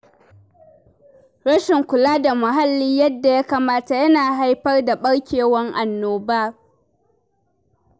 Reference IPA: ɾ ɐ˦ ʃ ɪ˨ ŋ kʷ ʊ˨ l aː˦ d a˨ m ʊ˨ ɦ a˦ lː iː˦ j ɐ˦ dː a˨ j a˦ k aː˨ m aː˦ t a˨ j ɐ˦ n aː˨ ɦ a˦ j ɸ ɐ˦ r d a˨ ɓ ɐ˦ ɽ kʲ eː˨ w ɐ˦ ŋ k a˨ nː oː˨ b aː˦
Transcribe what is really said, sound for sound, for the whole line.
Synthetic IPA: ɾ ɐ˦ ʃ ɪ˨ ŋ kʷ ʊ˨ l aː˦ d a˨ m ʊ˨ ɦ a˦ lː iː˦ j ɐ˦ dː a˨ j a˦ k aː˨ m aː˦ t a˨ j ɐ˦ n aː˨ ɦ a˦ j ɸ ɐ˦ r d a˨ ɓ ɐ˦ ɽ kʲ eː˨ w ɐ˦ ŋ ʔ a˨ nː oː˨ b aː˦